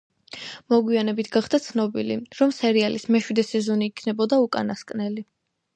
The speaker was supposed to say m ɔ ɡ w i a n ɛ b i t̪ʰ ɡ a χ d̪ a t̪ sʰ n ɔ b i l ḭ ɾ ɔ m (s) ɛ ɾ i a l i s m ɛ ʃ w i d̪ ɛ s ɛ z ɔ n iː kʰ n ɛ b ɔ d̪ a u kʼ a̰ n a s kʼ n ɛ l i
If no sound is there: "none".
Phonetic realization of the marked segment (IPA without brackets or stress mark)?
s